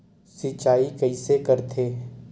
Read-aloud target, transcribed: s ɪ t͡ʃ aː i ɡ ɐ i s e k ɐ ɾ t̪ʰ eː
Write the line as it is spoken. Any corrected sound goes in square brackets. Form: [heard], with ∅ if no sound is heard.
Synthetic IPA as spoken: s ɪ t͡ʃ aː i [k] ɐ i s e k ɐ ɾ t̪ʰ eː